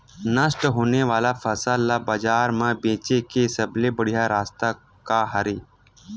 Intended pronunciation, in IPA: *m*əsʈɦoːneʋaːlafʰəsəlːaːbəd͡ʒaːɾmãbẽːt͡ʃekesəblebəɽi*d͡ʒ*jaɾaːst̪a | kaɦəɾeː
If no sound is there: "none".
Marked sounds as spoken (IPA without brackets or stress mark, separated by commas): n, none